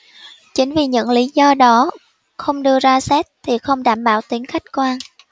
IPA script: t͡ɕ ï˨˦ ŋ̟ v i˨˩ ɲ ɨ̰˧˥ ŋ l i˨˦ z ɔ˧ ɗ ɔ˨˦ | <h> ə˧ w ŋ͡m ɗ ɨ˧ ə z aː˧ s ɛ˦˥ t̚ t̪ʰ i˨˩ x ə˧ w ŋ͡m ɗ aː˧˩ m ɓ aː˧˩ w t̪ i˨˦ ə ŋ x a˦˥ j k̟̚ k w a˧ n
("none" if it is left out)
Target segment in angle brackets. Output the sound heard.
x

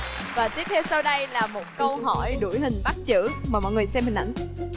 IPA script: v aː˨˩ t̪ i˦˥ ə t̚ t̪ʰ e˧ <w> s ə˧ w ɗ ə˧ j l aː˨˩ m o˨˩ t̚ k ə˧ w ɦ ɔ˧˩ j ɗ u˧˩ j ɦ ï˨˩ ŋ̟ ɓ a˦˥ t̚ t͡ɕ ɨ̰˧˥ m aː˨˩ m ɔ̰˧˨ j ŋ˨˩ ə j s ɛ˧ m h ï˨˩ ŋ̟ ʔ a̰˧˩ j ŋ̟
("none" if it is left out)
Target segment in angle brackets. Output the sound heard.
w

